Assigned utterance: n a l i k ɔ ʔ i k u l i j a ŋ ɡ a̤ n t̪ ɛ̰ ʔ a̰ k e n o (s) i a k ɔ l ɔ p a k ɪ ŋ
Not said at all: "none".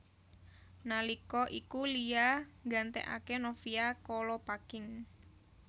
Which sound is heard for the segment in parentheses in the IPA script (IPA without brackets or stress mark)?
f